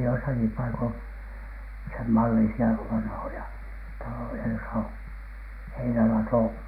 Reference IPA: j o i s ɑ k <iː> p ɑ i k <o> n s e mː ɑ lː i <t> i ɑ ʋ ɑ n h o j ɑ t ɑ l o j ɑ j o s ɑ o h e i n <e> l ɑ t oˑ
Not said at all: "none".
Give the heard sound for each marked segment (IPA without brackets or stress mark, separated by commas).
i, o, s, æ